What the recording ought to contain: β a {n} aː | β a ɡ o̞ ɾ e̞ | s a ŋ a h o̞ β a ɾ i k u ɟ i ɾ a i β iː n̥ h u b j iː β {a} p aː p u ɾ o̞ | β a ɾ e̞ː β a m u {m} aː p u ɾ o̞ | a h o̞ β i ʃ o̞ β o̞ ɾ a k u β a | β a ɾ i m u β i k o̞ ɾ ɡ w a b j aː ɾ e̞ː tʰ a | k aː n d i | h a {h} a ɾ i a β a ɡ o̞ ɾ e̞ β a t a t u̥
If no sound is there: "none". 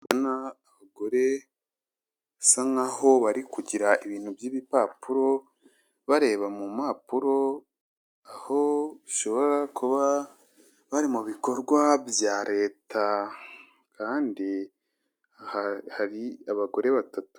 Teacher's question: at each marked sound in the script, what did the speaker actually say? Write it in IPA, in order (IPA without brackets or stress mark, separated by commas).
n, i, m, h